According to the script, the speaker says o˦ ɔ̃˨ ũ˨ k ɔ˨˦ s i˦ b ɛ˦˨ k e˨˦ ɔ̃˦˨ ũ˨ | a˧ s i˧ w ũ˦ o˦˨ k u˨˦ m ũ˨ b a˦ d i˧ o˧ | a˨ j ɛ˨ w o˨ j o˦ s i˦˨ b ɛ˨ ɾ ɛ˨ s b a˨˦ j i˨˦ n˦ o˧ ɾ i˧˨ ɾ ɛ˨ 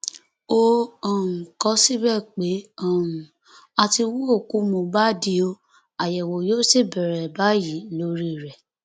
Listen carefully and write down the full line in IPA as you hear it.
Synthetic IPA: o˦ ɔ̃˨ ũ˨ k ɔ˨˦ s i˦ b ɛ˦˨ k͡p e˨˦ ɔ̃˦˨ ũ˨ | a˧ t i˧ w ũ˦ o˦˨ k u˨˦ m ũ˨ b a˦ d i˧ o˧ | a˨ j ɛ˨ w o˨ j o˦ s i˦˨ b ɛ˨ ɾ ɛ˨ b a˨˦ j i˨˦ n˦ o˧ ɾ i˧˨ ɾ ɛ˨